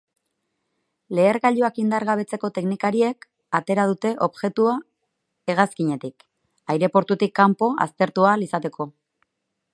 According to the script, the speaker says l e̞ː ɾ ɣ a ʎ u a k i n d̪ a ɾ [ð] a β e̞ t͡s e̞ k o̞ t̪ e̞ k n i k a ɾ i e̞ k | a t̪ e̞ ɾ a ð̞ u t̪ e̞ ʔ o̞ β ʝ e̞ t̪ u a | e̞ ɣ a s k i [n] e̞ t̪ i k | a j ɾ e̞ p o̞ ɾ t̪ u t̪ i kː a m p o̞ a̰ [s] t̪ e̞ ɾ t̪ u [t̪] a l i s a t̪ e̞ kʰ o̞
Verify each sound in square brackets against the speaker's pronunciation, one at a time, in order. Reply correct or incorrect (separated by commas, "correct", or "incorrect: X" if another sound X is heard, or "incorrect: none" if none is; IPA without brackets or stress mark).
incorrect: ɣ, incorrect: ɲ, correct, incorrect: none